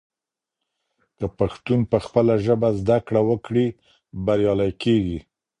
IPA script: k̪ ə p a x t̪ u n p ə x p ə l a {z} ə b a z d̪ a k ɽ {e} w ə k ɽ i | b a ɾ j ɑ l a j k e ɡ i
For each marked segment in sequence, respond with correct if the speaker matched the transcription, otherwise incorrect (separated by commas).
incorrect, incorrect